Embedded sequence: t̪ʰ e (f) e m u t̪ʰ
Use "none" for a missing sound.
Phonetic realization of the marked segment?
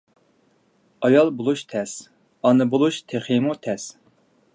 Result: χ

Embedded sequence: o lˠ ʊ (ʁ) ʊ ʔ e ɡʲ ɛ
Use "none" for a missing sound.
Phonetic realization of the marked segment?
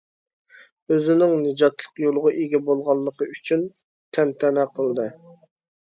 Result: ʁ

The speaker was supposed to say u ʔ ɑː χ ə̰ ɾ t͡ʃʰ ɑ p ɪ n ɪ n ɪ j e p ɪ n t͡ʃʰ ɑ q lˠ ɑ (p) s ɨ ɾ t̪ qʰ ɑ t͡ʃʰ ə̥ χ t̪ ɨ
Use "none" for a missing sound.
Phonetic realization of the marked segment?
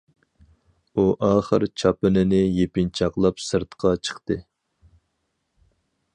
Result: p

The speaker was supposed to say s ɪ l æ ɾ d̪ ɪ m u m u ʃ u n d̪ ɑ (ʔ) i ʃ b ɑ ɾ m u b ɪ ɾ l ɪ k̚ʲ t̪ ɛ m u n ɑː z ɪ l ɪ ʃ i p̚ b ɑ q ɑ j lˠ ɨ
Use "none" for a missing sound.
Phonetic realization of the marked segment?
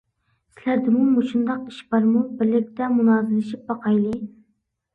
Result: q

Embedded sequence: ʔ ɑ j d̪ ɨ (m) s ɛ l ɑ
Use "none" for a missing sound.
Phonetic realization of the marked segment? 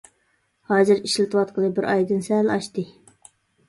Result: n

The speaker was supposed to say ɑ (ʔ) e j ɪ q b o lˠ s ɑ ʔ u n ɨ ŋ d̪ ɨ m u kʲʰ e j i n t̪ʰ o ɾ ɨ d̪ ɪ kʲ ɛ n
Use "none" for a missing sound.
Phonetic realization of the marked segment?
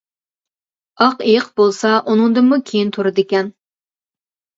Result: q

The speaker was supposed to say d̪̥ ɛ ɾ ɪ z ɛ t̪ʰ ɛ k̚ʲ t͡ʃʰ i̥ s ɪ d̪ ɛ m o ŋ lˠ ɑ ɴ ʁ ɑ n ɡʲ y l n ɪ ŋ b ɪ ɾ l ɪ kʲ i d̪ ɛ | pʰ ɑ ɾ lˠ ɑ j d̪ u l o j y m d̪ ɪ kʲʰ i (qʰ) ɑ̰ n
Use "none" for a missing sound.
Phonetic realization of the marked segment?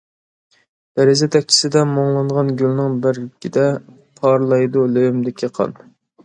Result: qʰ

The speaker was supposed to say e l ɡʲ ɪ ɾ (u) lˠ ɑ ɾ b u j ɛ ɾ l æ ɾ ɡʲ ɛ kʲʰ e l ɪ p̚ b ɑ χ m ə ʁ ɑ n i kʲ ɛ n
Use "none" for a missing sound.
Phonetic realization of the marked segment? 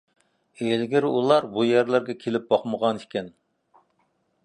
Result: u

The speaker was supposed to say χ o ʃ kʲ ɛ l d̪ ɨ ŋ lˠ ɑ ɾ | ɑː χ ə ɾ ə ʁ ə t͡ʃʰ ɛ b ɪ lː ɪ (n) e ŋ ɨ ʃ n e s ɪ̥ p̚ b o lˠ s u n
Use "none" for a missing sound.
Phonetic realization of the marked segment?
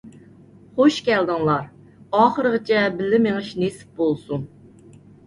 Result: m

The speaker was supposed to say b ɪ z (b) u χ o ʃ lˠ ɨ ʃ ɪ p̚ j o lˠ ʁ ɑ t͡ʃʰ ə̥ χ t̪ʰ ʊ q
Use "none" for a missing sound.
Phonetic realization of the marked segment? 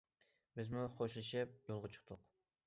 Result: m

